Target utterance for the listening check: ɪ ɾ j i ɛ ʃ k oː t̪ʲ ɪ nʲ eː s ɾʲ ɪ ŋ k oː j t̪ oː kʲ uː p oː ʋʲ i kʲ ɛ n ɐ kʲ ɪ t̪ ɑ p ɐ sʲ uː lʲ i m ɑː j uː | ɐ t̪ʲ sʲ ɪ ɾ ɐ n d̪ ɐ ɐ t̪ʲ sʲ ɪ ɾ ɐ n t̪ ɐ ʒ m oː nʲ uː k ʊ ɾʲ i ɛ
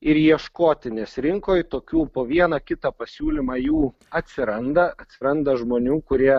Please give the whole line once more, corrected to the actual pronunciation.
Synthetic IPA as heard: ɪ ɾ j i ɛ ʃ k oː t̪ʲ ɪ nʲ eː s ɾʲ ɪ ŋ k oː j t̪ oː kʲ uː p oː ʋʲ i ɛ n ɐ kʲ ɪ t̪ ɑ p ɐ sʲ uː lʲ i m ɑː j uː | ɐ t̪ʲ sʲ ɪ ɾ ɐ n d̪ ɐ ɐ t̪ʲ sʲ ɪ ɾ ɐ n d̪ ɐ ʒ m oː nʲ uː k ʊ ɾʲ i ɛ